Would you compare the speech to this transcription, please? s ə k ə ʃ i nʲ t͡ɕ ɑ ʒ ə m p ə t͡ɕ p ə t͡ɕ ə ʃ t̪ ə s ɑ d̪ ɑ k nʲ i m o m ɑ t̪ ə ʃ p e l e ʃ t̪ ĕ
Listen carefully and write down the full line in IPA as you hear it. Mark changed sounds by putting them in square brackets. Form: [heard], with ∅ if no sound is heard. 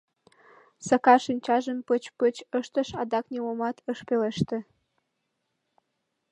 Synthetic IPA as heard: s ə k [ɑ] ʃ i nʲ t͡ɕ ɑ ʒ ə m p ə t͡ɕ p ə t͡ɕ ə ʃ t̪ ə [ʃ] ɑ d̪ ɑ k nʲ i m o m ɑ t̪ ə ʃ p e l e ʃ t̪ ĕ